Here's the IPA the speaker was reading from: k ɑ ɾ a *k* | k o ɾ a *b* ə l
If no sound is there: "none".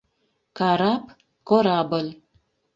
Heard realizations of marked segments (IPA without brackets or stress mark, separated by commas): p, b